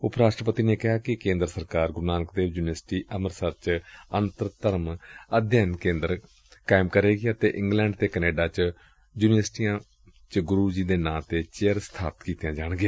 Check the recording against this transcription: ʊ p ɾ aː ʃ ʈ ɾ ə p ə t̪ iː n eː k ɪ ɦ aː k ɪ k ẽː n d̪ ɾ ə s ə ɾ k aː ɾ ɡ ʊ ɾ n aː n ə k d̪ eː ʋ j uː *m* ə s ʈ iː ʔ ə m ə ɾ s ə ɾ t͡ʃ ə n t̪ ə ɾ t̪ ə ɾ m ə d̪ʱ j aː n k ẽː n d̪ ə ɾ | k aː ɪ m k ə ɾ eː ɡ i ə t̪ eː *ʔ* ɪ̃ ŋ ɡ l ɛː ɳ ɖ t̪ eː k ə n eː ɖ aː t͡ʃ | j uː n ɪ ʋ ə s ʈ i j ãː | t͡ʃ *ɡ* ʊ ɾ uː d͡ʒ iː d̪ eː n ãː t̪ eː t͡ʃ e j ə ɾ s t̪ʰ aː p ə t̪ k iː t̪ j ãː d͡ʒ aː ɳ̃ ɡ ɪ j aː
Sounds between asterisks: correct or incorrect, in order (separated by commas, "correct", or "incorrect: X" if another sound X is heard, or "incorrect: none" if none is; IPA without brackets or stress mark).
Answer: incorrect: n, correct, correct